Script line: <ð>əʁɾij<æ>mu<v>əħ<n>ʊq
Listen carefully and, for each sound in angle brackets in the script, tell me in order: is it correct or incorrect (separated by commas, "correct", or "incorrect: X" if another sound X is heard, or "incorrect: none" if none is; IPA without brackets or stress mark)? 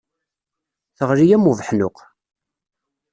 incorrect: θ, correct, correct, correct